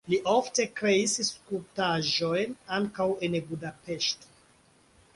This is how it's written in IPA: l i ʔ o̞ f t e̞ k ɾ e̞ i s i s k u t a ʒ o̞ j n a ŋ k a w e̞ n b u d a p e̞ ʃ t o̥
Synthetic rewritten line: l i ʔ o̞ f t e̞ k ɾ e̞ i s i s k u t a ʒ o̞ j n a ŋ k a w e̞ n b u d a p e̞ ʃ t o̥